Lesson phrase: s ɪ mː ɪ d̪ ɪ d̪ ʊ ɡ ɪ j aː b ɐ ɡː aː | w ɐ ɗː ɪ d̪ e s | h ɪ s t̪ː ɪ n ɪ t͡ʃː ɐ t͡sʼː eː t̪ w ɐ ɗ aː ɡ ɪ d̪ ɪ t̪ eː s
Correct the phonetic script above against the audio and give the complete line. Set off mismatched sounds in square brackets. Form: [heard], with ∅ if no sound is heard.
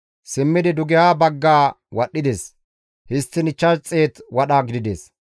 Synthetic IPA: s ɪ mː ɪ d̪ ɪ d̪ ʊ ɡ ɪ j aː b ɐ ɡː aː | w ɐ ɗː ɪ d̪ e s | h ɪ s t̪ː ɪ n ɪ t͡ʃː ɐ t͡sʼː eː t̪ w ɐ ɗ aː ɡ ɪ d̪ ɪ [d̪] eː s